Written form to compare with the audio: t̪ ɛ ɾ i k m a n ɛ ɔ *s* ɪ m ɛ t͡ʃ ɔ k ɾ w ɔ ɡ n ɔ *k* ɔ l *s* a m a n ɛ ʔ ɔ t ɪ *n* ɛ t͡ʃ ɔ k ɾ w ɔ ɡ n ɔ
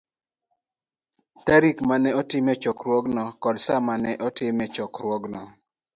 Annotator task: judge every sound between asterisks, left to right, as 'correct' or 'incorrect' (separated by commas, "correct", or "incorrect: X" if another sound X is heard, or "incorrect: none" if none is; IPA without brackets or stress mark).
incorrect: t, correct, correct, incorrect: m